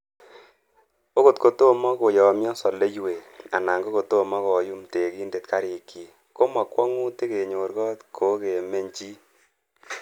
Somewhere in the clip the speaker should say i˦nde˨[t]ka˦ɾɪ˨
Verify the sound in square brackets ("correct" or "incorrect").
correct